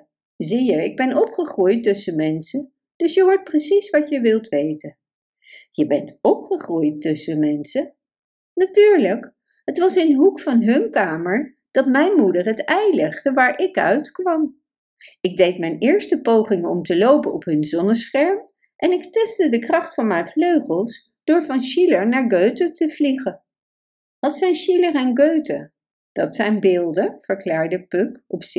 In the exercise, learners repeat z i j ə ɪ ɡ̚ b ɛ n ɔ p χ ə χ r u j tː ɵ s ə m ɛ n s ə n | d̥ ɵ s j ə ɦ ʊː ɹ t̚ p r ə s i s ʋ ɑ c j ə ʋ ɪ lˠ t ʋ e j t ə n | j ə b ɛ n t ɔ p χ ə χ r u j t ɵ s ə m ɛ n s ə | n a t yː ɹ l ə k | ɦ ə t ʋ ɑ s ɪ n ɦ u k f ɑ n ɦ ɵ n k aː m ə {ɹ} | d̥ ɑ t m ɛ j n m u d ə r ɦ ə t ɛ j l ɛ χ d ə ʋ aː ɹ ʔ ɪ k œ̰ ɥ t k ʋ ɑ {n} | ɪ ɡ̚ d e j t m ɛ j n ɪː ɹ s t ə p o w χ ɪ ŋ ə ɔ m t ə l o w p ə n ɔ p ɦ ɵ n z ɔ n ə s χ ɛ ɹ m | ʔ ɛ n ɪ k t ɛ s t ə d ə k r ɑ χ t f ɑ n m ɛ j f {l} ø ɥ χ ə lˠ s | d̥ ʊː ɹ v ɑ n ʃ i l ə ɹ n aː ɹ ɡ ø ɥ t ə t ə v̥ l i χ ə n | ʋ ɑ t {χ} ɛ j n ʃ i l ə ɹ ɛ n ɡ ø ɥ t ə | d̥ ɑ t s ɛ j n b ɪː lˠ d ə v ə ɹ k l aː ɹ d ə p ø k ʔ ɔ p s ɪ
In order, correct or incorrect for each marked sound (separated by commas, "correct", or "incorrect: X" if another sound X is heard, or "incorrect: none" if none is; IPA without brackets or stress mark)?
correct, incorrect: m, correct, incorrect: s